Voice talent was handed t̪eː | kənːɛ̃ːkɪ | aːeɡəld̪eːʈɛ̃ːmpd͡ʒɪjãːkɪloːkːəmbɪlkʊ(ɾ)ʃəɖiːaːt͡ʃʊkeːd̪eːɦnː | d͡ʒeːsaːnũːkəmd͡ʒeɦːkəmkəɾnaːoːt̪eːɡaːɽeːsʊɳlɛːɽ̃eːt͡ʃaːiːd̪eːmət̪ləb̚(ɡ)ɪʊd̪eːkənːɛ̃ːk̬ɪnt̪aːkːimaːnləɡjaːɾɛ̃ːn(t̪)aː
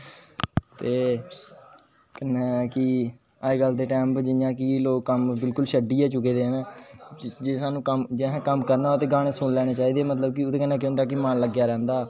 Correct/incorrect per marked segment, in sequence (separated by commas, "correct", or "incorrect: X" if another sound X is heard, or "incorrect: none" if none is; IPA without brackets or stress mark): incorrect: l, incorrect: k, incorrect: d̪